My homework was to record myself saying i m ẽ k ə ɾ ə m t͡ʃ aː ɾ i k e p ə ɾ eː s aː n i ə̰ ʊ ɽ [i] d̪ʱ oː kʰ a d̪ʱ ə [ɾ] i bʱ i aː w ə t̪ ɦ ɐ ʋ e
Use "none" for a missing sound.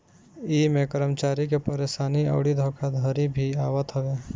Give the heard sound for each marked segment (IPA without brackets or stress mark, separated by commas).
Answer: i, ɾ